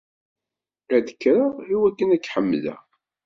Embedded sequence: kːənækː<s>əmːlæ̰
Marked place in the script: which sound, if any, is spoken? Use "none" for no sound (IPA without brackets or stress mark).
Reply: ħ